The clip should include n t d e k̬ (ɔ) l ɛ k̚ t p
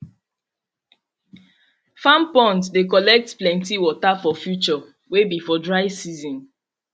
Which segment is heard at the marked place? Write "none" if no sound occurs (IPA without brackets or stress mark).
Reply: ɔ